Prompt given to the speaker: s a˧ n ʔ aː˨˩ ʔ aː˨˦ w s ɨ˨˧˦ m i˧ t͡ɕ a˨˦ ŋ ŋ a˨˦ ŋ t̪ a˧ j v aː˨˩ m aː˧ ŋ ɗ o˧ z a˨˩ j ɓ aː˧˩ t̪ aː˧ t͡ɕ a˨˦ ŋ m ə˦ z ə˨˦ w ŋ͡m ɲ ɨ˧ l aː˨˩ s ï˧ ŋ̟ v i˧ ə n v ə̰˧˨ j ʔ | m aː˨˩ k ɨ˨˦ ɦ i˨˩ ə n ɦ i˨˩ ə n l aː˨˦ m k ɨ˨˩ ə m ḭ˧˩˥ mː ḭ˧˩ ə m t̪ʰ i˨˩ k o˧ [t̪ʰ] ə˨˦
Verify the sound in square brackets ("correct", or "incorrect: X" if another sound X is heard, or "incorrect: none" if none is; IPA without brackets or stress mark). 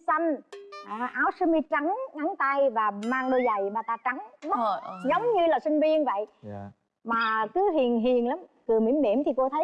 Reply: correct